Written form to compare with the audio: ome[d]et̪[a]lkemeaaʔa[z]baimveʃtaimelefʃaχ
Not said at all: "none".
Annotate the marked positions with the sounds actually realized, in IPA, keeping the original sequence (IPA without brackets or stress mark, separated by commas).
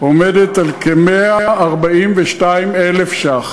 d, a, ʁ